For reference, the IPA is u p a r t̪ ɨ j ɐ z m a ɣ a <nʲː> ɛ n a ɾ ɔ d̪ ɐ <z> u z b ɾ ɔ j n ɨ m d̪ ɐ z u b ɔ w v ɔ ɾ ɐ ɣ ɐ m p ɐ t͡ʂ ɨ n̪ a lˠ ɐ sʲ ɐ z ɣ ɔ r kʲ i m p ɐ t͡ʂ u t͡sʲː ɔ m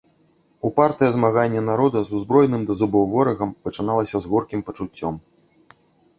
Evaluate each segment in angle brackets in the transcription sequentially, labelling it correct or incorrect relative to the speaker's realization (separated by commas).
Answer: correct, correct